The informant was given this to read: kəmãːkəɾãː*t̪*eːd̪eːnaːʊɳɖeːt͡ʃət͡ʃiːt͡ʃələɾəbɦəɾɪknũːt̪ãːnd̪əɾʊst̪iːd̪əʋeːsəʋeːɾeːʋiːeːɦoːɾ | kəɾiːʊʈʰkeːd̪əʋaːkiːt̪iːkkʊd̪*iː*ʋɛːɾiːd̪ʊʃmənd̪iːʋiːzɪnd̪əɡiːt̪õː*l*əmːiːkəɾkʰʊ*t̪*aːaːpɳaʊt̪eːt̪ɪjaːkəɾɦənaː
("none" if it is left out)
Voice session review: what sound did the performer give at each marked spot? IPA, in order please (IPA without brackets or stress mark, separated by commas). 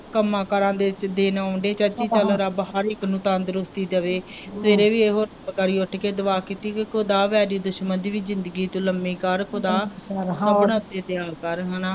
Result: d̪, aː, l, d̪